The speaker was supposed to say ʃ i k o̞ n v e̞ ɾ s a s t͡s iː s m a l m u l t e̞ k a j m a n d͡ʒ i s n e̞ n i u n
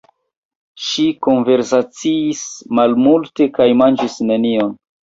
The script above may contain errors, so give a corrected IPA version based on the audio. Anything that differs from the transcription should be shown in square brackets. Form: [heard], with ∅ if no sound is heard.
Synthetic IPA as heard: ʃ i k o̞ n v e̞ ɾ s a [∅] t͡s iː s m a l m u l t e̞ k a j m a n d͡ʒ i s n e̞ n i [o] n